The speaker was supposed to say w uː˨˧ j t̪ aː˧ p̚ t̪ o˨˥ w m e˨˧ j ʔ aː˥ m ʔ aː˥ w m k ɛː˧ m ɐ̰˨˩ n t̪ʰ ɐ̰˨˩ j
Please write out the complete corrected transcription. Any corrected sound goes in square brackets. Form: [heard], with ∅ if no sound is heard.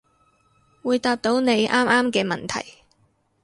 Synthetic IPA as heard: w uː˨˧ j t̪ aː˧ p̚ t̪ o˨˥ w [n] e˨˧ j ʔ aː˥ m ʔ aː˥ [∅] m k ɛː˧ m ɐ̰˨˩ n t̪ʰ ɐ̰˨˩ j